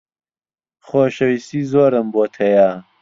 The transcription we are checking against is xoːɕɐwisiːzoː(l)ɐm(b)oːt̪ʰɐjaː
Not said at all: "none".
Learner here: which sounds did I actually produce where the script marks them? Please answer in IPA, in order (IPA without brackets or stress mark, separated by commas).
ɾ, b